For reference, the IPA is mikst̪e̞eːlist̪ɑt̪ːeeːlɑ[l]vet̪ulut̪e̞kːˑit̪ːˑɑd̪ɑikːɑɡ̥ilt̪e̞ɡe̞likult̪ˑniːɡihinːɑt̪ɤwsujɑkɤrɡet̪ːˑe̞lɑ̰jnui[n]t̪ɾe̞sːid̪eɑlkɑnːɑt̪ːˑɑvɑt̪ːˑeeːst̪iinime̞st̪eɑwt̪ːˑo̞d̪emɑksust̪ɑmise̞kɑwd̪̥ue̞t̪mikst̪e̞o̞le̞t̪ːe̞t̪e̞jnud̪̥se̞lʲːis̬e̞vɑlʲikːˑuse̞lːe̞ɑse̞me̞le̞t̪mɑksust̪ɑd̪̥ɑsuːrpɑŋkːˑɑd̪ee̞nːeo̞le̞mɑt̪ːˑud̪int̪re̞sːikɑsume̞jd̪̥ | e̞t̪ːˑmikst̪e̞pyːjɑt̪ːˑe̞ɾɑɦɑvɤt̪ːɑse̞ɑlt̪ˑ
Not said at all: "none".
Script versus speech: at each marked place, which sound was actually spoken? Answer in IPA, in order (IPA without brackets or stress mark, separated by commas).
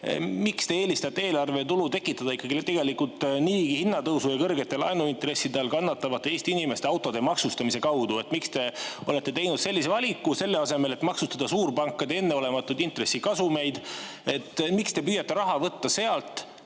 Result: r, n